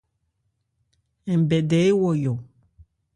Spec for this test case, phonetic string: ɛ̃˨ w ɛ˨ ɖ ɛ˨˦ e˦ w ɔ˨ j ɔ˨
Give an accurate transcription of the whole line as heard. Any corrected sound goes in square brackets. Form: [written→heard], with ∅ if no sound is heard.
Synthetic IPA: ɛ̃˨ [w→b] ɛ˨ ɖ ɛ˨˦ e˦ w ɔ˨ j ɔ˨